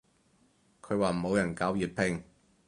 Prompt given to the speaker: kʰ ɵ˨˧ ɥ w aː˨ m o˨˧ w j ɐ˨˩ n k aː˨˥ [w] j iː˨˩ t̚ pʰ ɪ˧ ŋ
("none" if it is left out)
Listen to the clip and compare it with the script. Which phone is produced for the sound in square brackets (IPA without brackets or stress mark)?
w